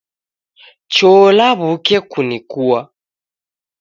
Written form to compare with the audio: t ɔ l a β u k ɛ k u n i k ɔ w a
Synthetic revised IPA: t͡ʃ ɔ l a β u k ɛ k u n i k u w a